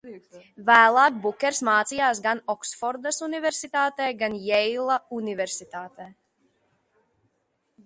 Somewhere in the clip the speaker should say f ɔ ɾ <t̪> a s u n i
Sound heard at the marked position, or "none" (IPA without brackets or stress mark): d̪